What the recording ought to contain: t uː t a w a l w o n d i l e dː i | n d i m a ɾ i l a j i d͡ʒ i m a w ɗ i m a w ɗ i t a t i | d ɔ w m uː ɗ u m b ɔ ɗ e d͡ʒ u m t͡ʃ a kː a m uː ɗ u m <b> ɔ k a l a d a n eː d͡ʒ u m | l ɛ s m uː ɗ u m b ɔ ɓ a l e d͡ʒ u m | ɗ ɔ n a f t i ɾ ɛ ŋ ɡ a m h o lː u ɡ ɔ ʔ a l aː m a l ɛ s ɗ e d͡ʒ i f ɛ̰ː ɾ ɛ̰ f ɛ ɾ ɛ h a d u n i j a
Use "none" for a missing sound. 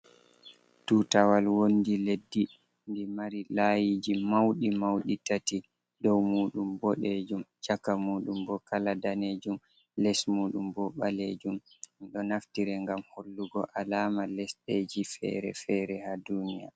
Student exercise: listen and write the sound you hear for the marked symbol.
b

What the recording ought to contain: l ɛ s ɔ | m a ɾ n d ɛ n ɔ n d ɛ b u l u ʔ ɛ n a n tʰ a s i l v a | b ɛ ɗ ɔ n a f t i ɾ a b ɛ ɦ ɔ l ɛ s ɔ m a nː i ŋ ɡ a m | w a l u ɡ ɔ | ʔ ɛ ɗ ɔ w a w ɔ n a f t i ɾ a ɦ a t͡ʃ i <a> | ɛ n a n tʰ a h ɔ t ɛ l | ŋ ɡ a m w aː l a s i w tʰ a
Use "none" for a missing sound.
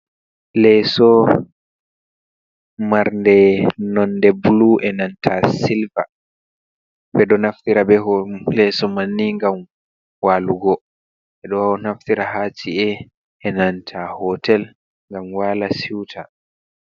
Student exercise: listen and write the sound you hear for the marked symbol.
ɛ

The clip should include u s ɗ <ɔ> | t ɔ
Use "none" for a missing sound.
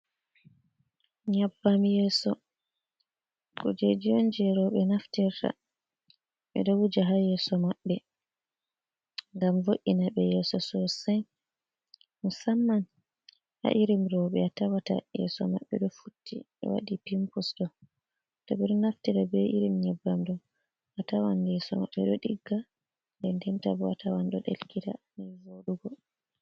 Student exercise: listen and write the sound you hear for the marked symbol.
ɔ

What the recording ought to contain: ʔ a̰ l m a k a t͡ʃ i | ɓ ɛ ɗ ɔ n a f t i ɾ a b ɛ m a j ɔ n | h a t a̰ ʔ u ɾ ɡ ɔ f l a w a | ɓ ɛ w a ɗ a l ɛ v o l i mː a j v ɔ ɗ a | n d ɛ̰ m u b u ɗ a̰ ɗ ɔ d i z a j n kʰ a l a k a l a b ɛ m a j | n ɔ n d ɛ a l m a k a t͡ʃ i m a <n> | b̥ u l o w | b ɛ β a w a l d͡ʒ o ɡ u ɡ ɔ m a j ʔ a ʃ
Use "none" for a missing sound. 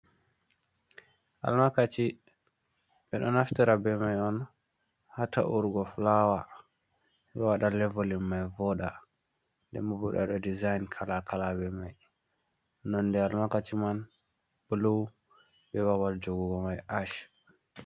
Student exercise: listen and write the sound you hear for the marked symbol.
n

